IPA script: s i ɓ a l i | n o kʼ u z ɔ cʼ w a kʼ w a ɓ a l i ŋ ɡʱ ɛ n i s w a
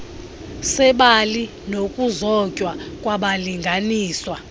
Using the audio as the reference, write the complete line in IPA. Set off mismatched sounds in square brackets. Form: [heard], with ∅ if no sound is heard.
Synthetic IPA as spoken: s [ɛ] ɓ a l i | n o kʼ u z ɔ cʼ w a kʼ w a ɓ a l i ŋ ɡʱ [a] n [iː] s w a